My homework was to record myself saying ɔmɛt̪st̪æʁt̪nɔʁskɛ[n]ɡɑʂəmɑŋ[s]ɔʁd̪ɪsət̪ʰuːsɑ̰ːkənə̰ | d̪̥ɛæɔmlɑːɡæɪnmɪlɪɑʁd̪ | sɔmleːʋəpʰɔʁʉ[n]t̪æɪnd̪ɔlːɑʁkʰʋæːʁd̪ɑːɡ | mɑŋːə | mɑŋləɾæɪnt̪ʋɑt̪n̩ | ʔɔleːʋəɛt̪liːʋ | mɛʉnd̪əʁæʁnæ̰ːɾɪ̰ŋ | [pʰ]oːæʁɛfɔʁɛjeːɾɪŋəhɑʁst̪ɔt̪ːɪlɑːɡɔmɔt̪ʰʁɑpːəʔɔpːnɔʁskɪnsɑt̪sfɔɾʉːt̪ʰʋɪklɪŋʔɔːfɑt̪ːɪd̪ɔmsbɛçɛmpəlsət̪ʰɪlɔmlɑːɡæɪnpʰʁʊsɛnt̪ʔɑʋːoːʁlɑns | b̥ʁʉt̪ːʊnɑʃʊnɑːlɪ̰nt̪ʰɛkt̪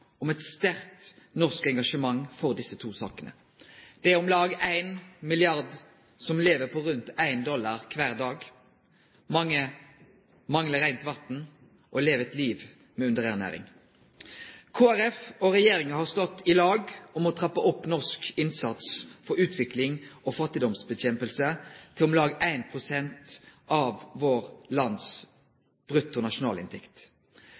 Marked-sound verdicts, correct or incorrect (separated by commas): incorrect, incorrect, correct, incorrect